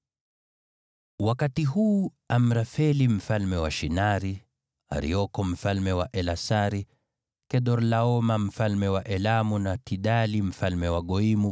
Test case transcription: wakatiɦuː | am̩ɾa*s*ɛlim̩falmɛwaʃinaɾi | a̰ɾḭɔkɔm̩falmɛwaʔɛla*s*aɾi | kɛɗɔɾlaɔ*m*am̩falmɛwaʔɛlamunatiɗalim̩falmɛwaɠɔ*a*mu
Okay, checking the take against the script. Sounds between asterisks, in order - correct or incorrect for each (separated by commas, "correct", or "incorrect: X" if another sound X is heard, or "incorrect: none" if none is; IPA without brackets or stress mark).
incorrect: f, correct, correct, incorrect: i